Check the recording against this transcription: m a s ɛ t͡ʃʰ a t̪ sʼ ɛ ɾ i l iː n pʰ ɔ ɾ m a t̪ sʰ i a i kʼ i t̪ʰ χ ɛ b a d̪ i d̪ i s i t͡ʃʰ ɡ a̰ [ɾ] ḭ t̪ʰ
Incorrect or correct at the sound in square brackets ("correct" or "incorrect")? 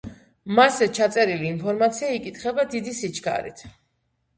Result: correct